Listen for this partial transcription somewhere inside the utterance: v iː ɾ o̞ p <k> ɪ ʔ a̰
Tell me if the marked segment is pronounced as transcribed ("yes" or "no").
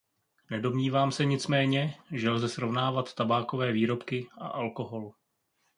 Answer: yes